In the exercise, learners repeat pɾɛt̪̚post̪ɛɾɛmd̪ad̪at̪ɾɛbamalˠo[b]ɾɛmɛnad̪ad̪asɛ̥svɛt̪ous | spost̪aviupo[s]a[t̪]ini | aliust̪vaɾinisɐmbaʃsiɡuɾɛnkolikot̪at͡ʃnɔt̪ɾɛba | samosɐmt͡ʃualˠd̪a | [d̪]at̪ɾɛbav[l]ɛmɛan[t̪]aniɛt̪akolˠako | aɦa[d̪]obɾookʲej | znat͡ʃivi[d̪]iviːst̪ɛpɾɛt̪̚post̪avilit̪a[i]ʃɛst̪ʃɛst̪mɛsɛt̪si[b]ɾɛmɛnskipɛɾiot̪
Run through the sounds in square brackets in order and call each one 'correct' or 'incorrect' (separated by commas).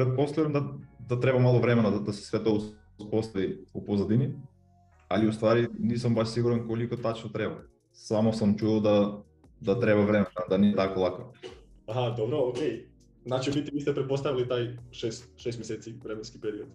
incorrect, incorrect, incorrect, correct, incorrect, incorrect, correct, incorrect, incorrect, incorrect